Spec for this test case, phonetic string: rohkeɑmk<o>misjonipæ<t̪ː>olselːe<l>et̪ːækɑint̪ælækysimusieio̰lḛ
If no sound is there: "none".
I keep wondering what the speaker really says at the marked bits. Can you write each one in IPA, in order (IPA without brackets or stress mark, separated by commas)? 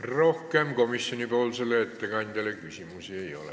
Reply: o, none, none